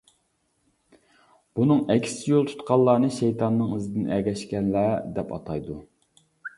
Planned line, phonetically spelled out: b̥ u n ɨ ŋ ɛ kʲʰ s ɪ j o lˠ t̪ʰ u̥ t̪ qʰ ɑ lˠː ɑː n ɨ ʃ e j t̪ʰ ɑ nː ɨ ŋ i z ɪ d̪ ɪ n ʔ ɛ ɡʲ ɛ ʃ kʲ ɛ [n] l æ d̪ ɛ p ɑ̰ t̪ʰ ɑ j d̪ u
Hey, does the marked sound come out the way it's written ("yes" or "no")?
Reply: yes